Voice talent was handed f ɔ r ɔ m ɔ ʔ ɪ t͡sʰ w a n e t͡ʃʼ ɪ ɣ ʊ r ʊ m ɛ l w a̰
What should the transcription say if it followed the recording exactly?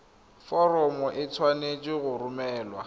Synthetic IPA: f ɔ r ɔ m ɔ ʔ ɪ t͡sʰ w a n e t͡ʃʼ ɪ ɣ ʊ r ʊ m ɛː l w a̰